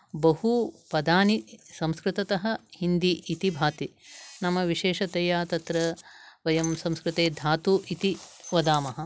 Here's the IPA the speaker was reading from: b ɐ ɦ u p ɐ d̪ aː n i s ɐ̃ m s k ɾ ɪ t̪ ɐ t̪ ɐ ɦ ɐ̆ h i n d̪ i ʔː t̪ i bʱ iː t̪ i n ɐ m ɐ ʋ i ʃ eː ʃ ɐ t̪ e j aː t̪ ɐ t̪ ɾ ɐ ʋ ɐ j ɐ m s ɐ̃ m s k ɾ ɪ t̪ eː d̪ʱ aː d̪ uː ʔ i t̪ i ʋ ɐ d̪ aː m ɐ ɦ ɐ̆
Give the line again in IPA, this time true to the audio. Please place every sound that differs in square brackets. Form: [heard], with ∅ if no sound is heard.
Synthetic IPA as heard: b ɐ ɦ u p ɐ d̪ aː n i s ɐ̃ m s k ɾ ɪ t̪ ɐ t̪ ɐ ɦ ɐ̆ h i n d̪ i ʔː t̪ i bʱ [aː] t̪ i n ɐ m ɐ ʋ i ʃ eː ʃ ɐ t̪ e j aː t̪ ɐ t̪ ɾ ɐ ʋ ɐ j ɐ m s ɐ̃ m s k ɾ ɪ t̪ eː d̪ʱ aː [t̪] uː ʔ i t̪ i ʋ ɐ d̪ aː m ɐ ɦ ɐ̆

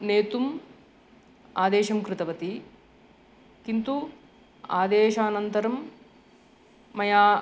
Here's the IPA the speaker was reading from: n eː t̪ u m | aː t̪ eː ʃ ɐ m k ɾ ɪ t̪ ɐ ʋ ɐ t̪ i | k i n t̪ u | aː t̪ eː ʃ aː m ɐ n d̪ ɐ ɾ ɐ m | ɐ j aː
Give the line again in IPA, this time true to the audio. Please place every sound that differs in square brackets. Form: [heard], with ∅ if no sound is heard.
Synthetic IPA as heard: n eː t̪ u m | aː [d̪] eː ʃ ɐ m k ɾ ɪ t̪ ɐ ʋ ɐ t̪ i | k i n t̪ u | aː [d̪] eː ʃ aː [n] ɐ n [t̪] ɐ ɾ ɐ m | ɐ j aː

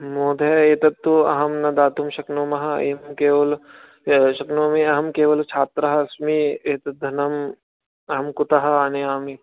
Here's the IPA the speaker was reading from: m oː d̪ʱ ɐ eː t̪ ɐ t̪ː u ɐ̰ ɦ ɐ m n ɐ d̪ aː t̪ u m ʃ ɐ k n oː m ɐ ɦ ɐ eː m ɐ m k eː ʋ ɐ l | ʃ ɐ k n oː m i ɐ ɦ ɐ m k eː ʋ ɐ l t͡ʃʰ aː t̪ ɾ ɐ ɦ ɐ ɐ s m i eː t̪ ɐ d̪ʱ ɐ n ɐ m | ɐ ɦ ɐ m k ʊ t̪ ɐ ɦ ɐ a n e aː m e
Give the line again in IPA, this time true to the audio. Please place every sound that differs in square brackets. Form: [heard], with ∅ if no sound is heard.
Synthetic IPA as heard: m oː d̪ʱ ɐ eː t̪ ɐ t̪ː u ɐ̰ ɦ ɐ m n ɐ d̪ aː t̪ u m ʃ ɐ k n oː m ɐ ɦ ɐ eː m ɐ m k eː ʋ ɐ l | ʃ ɐ k n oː m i ɐ ɦ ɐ m k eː ʋ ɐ l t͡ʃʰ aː t̪ ɾ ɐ ɦ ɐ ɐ s m i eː t̪ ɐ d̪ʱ ɐ n ɐ m | ɐ ɦ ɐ m k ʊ t̪ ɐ ɦ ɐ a n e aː m [i]

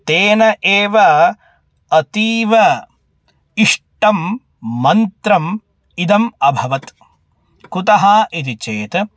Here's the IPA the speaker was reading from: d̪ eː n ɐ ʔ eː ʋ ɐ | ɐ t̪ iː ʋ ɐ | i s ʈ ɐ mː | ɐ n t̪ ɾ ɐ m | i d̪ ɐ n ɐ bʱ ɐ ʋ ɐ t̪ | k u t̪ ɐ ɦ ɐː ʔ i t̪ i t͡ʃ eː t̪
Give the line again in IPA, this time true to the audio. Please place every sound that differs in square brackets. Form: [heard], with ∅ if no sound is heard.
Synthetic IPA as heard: [t̪] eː n ɐ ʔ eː ʋ ɐ | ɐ t̪ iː ʋ ɐ | i [ʂ] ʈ ɐ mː | ɐ n t̪ ɾ ɐ m | i d̪ ɐ [m] ɐ bʱ ɐ ʋ ɐ t̪ | k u t̪ ɐ ɦ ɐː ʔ i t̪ i t͡ʃ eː t̪

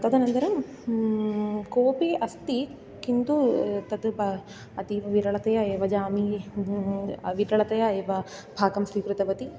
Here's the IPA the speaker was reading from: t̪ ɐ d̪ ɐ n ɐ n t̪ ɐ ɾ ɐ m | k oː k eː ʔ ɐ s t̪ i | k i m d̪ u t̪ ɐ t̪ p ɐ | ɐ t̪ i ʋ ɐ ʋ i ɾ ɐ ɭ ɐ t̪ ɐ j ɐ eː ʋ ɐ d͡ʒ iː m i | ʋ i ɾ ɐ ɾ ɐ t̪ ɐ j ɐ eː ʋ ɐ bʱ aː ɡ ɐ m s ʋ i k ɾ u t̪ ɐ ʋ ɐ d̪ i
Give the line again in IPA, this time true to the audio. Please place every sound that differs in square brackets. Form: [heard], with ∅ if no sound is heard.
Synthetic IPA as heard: t̪ ɐ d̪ ɐ n ɐ n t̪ ɐ ɾ ɐ m | k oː [p] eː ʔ ɐ s t̪ i | k i [n] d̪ u t̪ ɐ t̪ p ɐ | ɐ t̪ i ʋ ɐ ʋ i ɾ ɐ ɭ ɐ t̪ ɐ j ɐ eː ʋ ɐ d͡ʒ [aː] m i | ʋ i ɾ ɐ [ɭ] ɐ t̪ ɐ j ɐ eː ʋ ɐ bʱ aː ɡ ɐ m s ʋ i k ɾ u t̪ ɐ ʋ ɐ [t̪] i

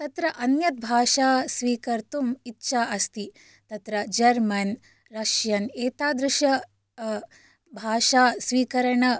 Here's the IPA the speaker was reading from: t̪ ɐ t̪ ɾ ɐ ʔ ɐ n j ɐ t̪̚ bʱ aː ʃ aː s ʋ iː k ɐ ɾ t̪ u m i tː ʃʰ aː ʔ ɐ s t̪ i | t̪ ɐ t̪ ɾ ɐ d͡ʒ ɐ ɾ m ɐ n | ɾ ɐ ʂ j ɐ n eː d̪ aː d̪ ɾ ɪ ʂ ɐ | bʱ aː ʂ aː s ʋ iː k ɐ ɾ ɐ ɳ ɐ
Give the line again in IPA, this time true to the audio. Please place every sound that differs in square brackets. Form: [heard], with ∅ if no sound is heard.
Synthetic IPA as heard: t̪ ɐ t̪ ɾ ɐ ʔ ɐ n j ɐ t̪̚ bʱ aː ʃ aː s ʋ iː k ɐ ɾ t̪ u m i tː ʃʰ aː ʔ ɐ s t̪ i | t̪ ɐ t̪ ɾ ɐ d͡ʒ ɐ ɾ m ɐ n | ɾ ɐ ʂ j ɐ n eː [t̪] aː d̪ ɾ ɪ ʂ ɐ | bʱ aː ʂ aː s ʋ iː k ɐ ɾ ɐ ɳ ɐ

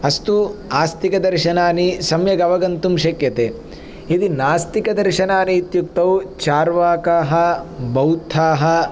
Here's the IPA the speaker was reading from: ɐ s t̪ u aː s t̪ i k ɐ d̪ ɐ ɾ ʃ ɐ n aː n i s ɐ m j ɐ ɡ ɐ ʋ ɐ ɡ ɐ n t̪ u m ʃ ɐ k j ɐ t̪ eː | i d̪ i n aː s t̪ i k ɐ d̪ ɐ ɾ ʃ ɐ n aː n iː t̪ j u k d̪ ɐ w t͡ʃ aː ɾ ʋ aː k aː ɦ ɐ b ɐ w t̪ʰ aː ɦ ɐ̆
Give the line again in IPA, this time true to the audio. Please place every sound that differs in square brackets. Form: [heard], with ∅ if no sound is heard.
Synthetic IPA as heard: ɐ s t̪ u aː s t̪ i k ɐ d̪ ɐ ɾ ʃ ɐ n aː n i s ɐ m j ɐ ɡ ɐ ʋ ɐ ɡ ɐ n t̪ u m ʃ ɐ k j ɐ t̪ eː | i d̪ i n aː s t̪ i k ɐ d̪ ɐ ɾ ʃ ɐ n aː n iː t̪ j u k [t̪] ɐ w t͡ʃ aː ɾ ʋ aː k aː ɦ ɐ b ɐ w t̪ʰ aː ɦ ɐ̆

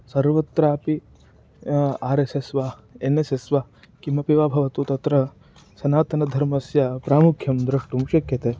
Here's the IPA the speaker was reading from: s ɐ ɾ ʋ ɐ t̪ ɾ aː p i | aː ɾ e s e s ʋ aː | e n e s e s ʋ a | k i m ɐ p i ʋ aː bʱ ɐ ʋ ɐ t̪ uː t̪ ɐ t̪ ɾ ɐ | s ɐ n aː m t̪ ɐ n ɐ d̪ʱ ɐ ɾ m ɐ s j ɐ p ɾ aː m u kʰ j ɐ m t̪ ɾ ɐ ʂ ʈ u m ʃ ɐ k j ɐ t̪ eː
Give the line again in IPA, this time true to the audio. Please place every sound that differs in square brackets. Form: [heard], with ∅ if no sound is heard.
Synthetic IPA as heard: s ɐ ɾ ʋ ɐ t̪ ɾ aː p i | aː ɾ e s e s ʋ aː | e n e s e s ʋ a | k i m ɐ p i ʋ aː bʱ ɐ ʋ ɐ t̪ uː t̪ ɐ t̪ ɾ ɐ | s ɐ n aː [∅] t̪ ɐ n ɐ d̪ʱ ɐ ɾ m ɐ s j ɐ p ɾ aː m u kʰ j ɐ m [d̪] ɾ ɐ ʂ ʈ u m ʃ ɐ k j ɐ t̪ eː

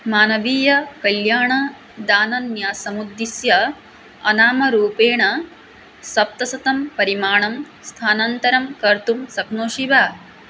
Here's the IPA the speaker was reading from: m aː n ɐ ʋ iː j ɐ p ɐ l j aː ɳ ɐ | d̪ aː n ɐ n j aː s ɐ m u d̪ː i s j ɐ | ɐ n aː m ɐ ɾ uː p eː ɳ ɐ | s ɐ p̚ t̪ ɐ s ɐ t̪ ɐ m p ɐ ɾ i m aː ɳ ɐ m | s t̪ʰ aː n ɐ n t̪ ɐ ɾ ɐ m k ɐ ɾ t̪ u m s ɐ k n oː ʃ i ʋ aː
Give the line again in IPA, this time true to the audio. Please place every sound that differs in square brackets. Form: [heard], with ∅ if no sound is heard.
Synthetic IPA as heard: m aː n ɐ ʋ iː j ɐ [k] ɐ l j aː ɳ ɐ | d̪ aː n ɐ n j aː s ɐ m u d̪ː i s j ɐ | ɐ n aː m ɐ ɾ uː p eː ɳ ɐ | s ɐ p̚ t̪ ɐ s ɐ t̪ ɐ m p ɐ ɾ i m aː ɳ ɐ m | s t̪ʰ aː n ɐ n t̪ ɐ ɾ ɐ m k ɐ ɾ t̪ u m s ɐ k n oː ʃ i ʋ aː

